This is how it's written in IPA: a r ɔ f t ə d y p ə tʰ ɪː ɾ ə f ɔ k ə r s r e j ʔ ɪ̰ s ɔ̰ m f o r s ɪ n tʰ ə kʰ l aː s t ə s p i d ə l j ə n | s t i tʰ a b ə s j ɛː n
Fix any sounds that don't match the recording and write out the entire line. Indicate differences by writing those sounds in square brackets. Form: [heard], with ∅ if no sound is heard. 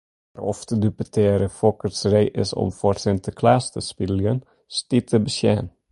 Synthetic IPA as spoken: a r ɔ f t ə d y p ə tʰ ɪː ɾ ə f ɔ k ə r s r e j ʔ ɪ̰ s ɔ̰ m f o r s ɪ n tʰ ə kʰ l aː s t ə s p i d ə l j ə n | s t i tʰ [ə] b ə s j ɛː n